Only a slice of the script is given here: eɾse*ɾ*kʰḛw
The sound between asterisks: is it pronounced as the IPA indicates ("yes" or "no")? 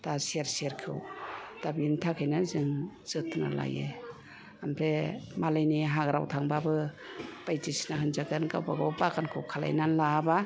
yes